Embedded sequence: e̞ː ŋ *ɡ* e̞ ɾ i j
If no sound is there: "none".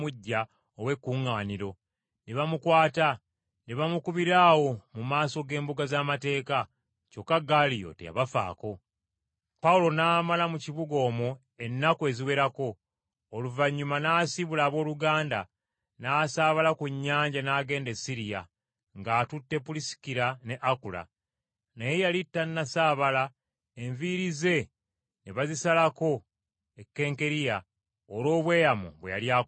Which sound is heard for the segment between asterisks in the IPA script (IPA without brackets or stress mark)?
k